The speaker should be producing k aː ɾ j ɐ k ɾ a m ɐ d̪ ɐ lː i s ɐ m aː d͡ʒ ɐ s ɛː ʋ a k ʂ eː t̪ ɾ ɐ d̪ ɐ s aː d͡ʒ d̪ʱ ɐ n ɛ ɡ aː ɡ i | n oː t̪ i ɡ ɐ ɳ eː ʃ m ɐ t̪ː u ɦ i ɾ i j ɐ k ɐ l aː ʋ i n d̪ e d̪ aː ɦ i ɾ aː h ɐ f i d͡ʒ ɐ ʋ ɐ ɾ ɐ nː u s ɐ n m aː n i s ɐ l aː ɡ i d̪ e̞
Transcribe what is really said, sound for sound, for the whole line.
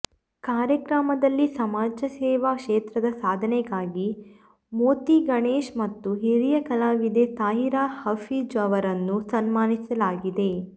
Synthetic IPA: k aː ɾ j ɐ k ɾ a m ɐ d̪ ɐ lː i s ɐ m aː d͡ʒ ɐ s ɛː ʋ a k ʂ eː t̪ ɾ ɐ d̪ ɐ s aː d̪ʱ ɐ n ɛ ɡ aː ɡ i | m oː t̪ i ɡ ɐ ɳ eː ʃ m ɐ t̪ː u ɦ i ɾ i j ɐ k ɐ l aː ʋ i d̪ e t̪ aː ɦ i ɾ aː h ɐ f i d͡ʒ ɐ ʋ ɐ ɾ ɐ nː u s ɐ n m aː n i s ɐ l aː ɡ i d̪ e̞